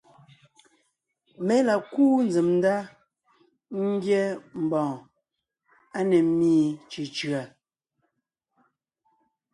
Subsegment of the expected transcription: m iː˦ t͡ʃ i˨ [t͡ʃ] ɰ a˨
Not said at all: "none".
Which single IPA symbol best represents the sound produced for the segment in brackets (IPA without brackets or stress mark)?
t͡ʃ